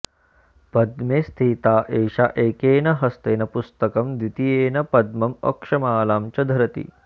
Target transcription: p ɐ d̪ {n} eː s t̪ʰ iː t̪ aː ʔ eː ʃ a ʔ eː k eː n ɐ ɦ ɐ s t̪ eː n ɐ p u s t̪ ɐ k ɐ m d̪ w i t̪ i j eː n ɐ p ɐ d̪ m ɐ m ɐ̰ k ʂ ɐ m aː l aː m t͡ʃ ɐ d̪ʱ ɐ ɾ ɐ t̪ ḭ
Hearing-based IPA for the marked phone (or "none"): m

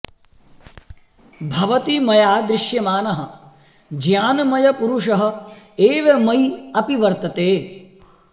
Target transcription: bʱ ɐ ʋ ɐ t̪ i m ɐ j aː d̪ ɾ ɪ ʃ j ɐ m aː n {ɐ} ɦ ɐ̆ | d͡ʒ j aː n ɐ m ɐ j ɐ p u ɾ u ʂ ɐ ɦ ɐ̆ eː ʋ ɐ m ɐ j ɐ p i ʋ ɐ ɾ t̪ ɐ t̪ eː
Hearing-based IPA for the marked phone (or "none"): ɐ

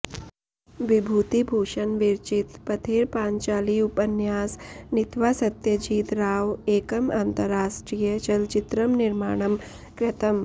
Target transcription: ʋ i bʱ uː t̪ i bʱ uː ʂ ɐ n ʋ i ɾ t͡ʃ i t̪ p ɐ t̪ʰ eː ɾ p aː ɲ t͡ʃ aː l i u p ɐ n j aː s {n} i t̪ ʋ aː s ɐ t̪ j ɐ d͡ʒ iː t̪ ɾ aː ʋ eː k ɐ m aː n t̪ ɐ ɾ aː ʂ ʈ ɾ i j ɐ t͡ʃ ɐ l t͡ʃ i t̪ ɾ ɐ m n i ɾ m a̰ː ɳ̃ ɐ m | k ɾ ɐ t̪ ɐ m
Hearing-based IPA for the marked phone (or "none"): n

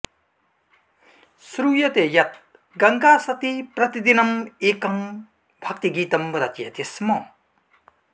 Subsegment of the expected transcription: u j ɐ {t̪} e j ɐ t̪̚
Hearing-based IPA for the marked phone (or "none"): t̪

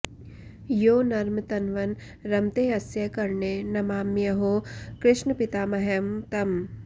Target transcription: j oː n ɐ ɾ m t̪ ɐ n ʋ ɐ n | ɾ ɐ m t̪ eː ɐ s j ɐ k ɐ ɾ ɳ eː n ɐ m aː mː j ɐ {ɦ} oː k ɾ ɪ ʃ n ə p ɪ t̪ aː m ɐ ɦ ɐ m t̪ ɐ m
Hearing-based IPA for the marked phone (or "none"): ɦ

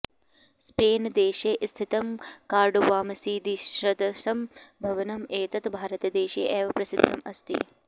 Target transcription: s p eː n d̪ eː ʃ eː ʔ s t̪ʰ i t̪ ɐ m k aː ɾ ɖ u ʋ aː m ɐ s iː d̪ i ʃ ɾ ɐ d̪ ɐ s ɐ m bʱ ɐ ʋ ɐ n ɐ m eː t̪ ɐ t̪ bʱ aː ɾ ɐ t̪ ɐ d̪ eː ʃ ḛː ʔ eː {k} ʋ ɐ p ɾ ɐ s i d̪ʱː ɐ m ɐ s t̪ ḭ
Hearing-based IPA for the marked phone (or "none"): none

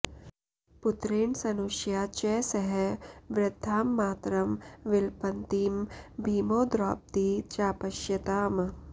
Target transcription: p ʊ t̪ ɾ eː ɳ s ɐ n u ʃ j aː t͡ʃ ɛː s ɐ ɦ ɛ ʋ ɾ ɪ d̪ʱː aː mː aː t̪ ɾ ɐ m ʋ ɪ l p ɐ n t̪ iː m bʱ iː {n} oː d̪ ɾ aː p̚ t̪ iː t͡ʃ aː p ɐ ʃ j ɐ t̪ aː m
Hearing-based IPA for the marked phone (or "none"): m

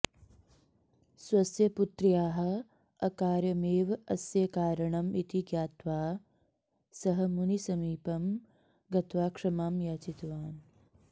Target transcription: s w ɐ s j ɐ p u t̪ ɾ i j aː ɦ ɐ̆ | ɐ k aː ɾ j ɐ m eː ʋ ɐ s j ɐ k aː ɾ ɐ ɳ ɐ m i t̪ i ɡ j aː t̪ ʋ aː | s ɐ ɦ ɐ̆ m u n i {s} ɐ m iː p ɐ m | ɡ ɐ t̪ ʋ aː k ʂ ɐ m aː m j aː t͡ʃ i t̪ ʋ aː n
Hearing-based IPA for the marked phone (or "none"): s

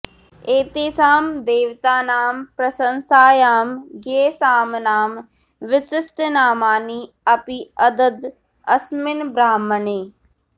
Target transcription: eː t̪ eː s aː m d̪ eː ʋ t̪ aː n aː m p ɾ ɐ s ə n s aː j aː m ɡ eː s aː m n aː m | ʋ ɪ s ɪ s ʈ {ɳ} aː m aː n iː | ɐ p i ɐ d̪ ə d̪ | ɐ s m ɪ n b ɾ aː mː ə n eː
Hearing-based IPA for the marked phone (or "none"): n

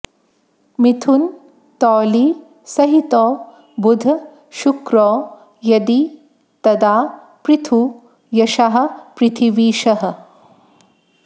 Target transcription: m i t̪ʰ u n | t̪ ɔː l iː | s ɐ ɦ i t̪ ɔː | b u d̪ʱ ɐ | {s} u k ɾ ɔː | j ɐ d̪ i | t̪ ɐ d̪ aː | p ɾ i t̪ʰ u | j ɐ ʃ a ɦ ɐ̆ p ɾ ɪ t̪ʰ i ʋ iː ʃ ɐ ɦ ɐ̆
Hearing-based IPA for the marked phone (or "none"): ʃ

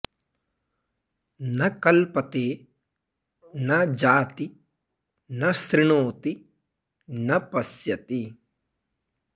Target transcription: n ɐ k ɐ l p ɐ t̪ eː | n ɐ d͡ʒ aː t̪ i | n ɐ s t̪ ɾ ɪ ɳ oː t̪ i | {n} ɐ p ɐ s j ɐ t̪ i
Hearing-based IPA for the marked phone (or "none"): n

